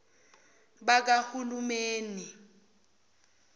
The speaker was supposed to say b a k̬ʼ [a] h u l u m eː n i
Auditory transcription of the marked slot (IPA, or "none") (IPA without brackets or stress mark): a